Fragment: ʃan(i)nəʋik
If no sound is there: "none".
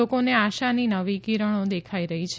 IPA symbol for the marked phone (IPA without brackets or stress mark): i